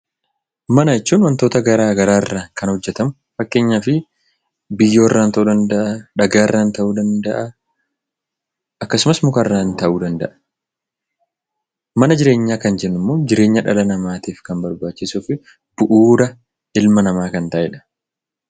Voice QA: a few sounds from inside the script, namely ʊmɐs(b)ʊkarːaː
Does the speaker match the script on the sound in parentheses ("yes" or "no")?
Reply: no